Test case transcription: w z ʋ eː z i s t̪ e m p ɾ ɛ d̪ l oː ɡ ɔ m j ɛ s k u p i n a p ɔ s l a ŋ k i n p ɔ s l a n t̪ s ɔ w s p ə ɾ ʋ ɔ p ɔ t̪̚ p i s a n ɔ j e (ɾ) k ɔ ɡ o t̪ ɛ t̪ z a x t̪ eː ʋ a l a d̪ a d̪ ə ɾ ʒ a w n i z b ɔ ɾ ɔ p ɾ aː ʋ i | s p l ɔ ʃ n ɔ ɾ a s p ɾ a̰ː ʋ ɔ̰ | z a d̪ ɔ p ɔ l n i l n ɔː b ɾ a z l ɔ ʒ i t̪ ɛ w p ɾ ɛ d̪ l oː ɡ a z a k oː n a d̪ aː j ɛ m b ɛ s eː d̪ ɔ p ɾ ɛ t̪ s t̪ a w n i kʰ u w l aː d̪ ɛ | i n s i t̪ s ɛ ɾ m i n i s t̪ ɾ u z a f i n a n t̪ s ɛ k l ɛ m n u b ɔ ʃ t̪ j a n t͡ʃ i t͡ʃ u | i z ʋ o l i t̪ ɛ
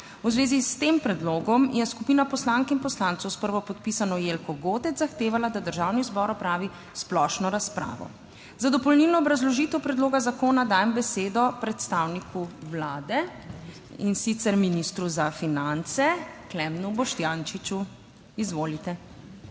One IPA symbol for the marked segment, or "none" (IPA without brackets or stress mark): l